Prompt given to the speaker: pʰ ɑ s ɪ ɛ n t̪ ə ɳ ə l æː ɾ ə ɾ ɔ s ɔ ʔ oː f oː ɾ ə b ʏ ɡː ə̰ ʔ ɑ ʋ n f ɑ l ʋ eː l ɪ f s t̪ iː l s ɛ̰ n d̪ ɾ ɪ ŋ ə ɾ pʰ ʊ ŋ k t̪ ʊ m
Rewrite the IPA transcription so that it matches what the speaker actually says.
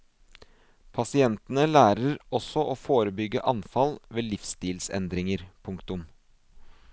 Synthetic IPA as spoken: pʰ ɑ s ɪ ɛ n t̪ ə n ə l æː ɾ ə ɾ ɔ s ɔ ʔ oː f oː ɾ ə b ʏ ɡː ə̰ ʔ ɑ n f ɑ l ʋ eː l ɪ f s t̪ iː l s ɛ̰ n d̪ ɾ ɪ ŋ ə ɾ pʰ ʊ ŋ k t̪ ʊ m